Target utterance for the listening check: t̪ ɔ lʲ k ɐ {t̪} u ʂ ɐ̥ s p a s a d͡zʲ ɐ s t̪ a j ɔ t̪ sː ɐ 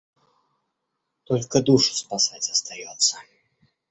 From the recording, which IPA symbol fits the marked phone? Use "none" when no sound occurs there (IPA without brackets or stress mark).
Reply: d̪